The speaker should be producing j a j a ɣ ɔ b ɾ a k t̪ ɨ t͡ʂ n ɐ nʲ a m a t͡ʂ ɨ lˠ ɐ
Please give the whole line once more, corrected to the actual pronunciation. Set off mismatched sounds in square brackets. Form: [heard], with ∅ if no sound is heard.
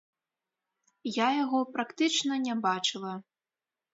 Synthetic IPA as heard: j a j a ɣ ɔ [p] ɾ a k t̪ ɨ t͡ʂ n ɐ nʲ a [b] a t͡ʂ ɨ lˠ ɐ

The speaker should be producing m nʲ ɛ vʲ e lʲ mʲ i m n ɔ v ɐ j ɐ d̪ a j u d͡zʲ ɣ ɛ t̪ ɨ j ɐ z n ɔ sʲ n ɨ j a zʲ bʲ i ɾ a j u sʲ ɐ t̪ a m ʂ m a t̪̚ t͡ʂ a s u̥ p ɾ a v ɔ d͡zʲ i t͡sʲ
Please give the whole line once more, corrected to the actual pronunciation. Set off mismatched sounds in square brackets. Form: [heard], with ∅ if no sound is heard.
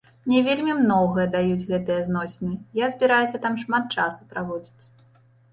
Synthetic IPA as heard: m nʲ ɛ vʲ e lʲ mʲ i m n ɔ [ɣ] ɐ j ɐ d̪ a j u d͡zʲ ɣ ɛ t̪ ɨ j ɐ z n ɔ sʲ n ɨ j a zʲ bʲ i ɾ a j u sʲ ɐ t̪ a m ʂ m a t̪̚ t͡ʂ a s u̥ p ɾ a v ɔ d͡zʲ i t͡sʲ

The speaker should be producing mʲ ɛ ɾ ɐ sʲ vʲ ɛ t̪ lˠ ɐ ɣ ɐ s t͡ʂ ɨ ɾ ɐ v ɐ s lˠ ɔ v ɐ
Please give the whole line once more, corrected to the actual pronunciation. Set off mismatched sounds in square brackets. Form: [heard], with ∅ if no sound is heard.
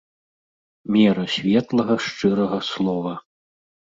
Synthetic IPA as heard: mʲ ɛ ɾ ɐ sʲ vʲ ɛ t̪ lˠ ɐ ɣ ɐ [ʂ] t͡ʂ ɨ ɾ ɐ [ɣ] ɐ s lˠ ɔ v ɐ

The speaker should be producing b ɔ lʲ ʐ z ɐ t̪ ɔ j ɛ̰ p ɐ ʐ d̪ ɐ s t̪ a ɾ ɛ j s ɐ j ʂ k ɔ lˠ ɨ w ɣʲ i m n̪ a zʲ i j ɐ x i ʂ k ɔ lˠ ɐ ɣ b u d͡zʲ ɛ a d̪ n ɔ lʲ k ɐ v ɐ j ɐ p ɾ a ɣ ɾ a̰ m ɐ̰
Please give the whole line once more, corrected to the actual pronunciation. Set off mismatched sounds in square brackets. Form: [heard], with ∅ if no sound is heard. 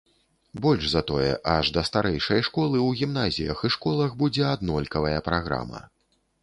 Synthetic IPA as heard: b ɔ lʲ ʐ z ɐ t̪ ɔ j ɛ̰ [ʔ] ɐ ʐ d̪ ɐ s t̪ a ɾ ɛ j [ʂ] ɐ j ʂ k ɔ lˠ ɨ w ɣʲ i m n̪ a zʲ i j ɐ x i ʂ k ɔ lˠ ɐ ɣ b u d͡zʲ ɛ a d̪ n ɔ lʲ k ɐ v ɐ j ɐ p ɾ a ɣ ɾ a̰ m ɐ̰

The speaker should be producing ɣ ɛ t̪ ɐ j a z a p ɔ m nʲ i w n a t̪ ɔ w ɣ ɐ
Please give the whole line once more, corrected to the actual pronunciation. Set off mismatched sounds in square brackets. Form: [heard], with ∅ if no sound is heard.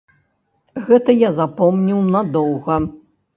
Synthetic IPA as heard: ɣ ɛ t̪ ɐ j a z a p ɔ m nʲ i w n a [d̪] ɔ w ɣ ɐ

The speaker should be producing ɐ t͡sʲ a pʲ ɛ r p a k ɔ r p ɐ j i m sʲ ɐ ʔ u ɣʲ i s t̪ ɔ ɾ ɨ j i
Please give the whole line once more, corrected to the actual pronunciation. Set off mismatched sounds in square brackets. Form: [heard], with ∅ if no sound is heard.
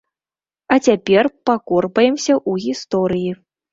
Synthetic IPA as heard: ɐ t͡sʲ a pʲ ɛ r p a k ɔ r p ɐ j [ɛ] m sʲ ɐ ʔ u ɣʲ i s t̪ ɔ ɾ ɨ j i

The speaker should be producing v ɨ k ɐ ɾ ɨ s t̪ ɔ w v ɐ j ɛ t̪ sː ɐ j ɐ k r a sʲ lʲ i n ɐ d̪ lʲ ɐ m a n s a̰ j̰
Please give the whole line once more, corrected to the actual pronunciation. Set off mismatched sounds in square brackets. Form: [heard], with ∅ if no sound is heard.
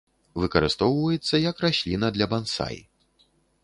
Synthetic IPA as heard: v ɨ k ɐ ɾ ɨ s t̪ ɔ w v ɐ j ɛ t̪ sː ɐ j ɐ k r a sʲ lʲ i n ɐ d̪ lʲ ɐ [b] a n s a̰ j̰

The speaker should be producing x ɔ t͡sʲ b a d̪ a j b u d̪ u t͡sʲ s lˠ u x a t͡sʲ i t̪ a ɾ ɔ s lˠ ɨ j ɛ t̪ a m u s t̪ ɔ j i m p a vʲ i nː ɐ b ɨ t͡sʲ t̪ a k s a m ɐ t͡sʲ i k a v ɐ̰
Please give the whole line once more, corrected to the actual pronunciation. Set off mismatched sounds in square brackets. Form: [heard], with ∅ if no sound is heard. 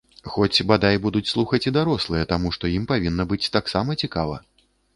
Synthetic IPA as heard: x ɔ t͡sʲ b a d̪ a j b u d̪ u t͡sʲ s lˠ u x [ɐ] t͡sʲ i [d̪] a ɾ ɔ s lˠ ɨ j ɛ t̪ a m u [ʂ] t̪ ɔ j i m p a vʲ i nː ɐ b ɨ t͡sʲ t̪ a k s a m ɐ t͡sʲ i k a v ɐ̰

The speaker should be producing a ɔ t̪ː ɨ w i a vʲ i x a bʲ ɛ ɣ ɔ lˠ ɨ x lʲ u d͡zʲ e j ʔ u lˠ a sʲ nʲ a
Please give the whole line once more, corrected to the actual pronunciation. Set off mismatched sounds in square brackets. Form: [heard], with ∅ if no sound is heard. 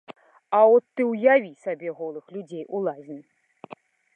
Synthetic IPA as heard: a ɔ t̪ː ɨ w [j] a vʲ i [s] a bʲ ɛ ɣ ɔ lˠ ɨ x lʲ u d͡zʲ e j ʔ u lˠ a [zʲ] nʲ [i]

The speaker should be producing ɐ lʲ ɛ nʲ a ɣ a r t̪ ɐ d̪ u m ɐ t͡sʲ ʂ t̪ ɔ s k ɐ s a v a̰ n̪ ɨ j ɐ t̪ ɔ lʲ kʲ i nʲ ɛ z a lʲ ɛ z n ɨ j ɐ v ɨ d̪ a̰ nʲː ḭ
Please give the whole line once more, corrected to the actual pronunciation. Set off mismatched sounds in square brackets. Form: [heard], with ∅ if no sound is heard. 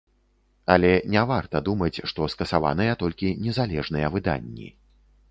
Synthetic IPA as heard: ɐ lʲ ɛ nʲ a [v] a r t̪ ɐ d̪ u m ɐ t͡sʲ ʂ t̪ ɔ s k ɐ s a v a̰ n̪ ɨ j ɐ t̪ ɔ lʲ kʲ i nʲ ɛ z a lʲ ɛ [ʐ] n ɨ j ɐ v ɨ d̪ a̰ nʲː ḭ

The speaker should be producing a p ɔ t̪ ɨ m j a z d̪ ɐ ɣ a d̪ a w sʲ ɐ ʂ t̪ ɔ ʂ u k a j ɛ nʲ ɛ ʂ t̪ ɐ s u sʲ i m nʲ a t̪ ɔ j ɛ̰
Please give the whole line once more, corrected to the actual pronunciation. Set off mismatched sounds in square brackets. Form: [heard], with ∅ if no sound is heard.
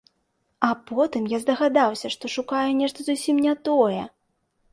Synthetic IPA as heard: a p ɔ t̪ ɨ m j a z d̪ ɐ ɣ a d̪ a w sʲ ɐ ʂ t̪ ɔ ʂ u k a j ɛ nʲ ɛ ʂ t̪ ɐ [z] u sʲ i m nʲ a t̪ ɔ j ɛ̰

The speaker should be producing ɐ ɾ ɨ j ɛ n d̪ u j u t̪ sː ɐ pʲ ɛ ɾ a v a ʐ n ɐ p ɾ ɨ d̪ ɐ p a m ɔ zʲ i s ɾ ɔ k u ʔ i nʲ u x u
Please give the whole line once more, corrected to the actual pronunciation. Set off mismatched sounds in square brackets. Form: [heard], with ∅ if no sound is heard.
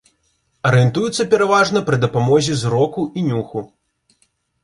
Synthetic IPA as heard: ɐ ɾ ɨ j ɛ n [t̪] u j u t̪ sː ɐ pʲ ɛ ɾ a v a ʐ n ɐ p ɾ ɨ d̪ ɐ p a m ɔ zʲ i [z] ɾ ɔ k u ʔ i nʲ u x u

